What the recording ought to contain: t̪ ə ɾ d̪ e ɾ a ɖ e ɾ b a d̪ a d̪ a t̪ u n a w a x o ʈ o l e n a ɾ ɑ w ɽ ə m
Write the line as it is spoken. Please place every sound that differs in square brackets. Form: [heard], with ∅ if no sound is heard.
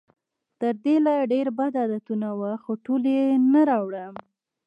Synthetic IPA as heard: t̪ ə ɾ d̪ e [l] a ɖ e ɾ b a d̪ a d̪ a t̪ u n a w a x o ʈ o l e n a ɾ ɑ w ɽ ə m

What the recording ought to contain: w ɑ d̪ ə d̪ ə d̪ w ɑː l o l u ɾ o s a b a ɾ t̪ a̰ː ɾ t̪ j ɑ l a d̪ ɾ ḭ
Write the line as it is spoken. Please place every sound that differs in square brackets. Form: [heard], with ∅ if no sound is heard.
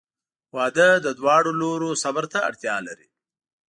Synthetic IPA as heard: w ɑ d̪ ə d̪ ə d̪ w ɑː [ɽ] o l [o] ɾ o s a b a ɾ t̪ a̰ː [ɽ] t̪ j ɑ l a [∅] ɾ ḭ

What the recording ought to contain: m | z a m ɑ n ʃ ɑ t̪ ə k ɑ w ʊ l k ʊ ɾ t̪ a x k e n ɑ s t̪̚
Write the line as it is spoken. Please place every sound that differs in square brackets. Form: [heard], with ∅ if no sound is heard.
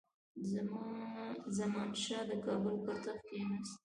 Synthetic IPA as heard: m | z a m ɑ n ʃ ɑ [d̪] ə k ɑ [b] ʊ l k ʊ ɾ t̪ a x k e n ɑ s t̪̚

